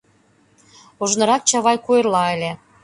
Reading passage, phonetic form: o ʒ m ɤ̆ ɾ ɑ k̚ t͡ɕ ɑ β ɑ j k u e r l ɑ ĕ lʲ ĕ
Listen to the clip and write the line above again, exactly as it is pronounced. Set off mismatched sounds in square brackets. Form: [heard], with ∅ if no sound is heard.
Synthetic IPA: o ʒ [n] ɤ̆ ɾ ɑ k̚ t͡ɕ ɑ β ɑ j k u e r l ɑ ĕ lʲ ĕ